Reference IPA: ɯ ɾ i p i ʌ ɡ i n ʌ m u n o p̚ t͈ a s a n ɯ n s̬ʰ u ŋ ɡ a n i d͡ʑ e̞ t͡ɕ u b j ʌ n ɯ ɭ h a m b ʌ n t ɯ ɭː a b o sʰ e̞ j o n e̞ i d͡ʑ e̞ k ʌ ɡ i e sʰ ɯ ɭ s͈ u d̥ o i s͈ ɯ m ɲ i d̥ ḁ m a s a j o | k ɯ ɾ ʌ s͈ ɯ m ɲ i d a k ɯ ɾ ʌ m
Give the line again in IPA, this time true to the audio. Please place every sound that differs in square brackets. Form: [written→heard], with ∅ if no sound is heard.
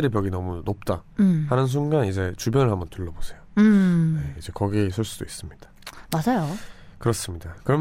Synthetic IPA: ɯ ɾ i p [i→j] ʌ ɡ i n ʌ m u n o p̚ t͈ a [s→h] a n ɯ n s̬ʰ u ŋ ɡ a n i d͡ʑ e̞ t͡ɕ u b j ʌ n ɯ ɭ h a m b ʌ n t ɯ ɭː [a→ʌ] b o sʰ e̞ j o n e̞ i d͡ʑ e̞ k ʌ ɡ i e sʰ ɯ ɭ s͈ u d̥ o i s͈ ɯ m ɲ i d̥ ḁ m a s a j o | k ɯ ɾ ʌ s͈ ɯ m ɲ i d a k ɯ ɾ ʌ m